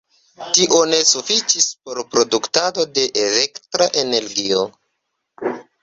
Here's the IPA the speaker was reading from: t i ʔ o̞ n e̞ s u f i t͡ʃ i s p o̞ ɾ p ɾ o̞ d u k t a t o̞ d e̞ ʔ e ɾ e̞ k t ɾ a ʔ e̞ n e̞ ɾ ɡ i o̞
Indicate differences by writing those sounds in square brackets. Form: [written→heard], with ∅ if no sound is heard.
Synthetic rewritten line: t i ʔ o̞ n e̞ s u f i t͡ʃ i s p o̞ ɾ p ɾ o̞ d u k t a [t→d] o̞ d e̞ ʔ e [ɾ→l] e̞ k t ɾ a ʔ e̞ n e̞ ɾ ɡ i o̞